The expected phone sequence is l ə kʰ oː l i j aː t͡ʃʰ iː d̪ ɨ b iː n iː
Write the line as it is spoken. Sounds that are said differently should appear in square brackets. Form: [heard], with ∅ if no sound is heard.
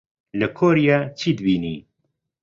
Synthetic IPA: l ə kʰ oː [ɾ] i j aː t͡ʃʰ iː d̪ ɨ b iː n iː